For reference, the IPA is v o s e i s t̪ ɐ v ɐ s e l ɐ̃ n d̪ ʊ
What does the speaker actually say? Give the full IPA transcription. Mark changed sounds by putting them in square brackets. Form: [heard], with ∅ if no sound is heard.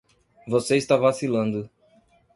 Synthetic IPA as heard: v o s e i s t̪ [a] v [a] s [i] l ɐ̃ n d̪ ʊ